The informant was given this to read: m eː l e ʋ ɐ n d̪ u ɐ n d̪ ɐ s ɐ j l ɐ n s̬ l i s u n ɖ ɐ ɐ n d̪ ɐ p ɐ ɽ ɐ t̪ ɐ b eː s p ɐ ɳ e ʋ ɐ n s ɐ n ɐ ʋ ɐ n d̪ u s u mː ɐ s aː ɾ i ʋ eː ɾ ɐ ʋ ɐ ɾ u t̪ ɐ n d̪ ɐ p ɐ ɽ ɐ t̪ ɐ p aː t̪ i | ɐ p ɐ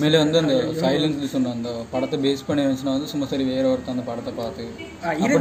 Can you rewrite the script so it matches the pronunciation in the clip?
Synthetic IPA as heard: m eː l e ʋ ɐ n d̪ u ɐ n d̪ ɐ s ɐ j l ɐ n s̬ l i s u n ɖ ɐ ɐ n d̪ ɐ p ɐ ɽ ɐ t̪ ɐ b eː s p ɐ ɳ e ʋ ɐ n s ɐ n ɐ ʋ ɐ n d̪ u s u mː ɐ s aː ɾ i ʋ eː ɾ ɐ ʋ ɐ ɾ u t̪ ɐ n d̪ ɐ p ɐ ɽ ɐ t̪ ɐ p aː t̪ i | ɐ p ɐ